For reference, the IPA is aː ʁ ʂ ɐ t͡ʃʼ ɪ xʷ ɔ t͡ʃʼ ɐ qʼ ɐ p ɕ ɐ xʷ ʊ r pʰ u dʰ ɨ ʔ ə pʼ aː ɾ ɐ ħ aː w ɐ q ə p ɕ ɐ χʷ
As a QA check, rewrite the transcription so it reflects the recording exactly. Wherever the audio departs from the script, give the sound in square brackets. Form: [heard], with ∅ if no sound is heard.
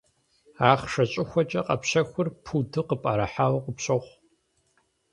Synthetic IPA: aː [χ] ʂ ɐ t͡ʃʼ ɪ xʷ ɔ t͡ʃʼ ɐ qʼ ɐ p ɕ ɐ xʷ ʊ r pʰ u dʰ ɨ [q] ə pʼ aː ɾ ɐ ħ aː w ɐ q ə p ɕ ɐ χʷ